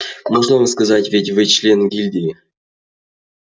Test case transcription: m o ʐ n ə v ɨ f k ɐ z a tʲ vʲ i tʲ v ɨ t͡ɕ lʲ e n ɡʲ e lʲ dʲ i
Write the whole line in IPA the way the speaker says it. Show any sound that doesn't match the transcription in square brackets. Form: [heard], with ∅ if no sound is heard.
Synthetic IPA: m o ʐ n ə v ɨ [s] k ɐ z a tʲ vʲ [e] tʲ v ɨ t͡ɕ lʲ e n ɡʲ [i] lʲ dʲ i